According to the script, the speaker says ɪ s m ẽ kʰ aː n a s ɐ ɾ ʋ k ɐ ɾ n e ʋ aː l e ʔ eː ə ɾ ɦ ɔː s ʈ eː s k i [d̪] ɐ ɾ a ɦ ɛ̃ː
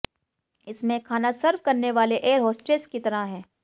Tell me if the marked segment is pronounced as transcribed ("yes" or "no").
no